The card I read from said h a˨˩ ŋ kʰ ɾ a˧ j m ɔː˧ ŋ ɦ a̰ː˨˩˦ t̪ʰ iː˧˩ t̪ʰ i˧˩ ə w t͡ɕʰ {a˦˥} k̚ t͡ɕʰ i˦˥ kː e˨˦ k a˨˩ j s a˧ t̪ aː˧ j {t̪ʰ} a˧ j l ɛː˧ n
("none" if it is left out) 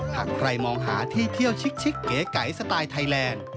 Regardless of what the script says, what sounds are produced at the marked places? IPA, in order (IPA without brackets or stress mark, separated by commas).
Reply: i˦˥, t̪ʰ